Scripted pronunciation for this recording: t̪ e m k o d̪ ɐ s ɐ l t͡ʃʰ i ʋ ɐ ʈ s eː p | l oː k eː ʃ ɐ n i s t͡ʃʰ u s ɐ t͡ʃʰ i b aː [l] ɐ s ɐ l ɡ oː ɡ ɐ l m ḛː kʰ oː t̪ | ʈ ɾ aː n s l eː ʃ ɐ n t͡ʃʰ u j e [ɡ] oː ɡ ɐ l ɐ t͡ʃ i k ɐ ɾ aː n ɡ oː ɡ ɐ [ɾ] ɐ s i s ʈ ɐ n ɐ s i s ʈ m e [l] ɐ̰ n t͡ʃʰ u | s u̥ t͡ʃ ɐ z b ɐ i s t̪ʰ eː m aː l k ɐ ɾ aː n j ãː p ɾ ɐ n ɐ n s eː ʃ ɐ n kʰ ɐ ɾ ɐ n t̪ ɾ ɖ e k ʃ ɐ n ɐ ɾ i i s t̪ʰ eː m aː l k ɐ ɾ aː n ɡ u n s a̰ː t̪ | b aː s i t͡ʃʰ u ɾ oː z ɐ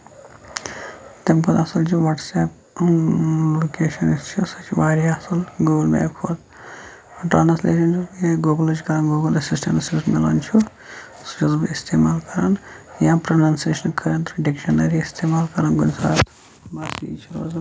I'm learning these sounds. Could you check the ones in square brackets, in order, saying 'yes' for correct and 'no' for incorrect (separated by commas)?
no, yes, no, yes